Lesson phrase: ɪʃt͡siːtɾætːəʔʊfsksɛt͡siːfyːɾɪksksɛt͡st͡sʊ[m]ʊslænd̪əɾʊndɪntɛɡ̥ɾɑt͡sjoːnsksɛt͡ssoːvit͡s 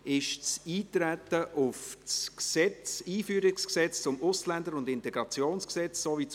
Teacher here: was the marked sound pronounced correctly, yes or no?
yes